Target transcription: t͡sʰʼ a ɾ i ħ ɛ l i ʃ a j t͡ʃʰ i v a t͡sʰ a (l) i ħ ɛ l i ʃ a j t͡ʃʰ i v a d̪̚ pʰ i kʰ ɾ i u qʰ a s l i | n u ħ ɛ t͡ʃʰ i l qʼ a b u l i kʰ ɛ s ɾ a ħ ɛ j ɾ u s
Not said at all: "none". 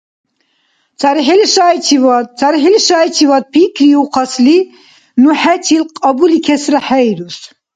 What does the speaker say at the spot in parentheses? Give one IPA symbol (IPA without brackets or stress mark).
ɾ